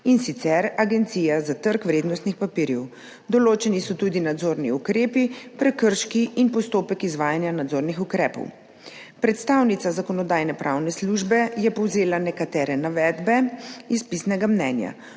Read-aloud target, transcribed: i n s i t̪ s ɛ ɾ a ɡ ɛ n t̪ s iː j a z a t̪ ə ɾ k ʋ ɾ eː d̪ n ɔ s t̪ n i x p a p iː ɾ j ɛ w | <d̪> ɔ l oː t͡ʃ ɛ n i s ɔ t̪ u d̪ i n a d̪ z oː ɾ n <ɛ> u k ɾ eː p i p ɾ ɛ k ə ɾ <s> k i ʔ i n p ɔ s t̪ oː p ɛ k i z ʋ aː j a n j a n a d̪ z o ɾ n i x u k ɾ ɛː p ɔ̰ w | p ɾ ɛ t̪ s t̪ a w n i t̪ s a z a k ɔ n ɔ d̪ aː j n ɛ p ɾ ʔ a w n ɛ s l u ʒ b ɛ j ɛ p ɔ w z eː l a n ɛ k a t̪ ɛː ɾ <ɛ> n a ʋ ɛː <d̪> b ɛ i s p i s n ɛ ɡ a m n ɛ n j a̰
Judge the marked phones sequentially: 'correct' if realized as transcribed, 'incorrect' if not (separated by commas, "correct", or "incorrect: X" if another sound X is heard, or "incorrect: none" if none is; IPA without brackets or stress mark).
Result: correct, incorrect: i, incorrect: ʃ, correct, correct